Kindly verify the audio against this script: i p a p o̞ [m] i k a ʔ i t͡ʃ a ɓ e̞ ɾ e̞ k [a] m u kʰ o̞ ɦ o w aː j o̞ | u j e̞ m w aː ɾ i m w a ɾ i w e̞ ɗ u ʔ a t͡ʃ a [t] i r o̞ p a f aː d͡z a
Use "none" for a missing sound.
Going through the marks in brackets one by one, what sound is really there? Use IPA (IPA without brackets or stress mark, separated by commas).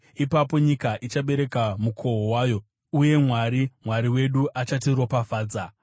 ɲ, a, t